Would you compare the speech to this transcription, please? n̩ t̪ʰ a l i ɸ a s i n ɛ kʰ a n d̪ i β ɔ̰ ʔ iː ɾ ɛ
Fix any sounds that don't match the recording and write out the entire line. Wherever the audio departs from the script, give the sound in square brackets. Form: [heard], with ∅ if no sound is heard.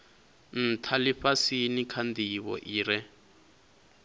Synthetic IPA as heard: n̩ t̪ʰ a l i ɸ a s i n [i] kʰ a n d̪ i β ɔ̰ ʔ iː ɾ ɛ